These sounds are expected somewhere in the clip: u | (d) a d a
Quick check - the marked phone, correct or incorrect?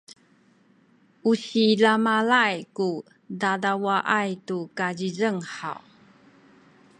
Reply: correct